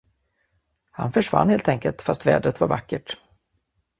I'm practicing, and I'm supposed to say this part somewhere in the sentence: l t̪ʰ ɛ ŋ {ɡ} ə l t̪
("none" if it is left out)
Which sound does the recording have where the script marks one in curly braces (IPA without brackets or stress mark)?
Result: k